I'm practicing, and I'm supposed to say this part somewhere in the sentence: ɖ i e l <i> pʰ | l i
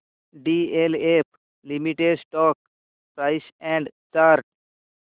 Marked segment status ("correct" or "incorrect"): incorrect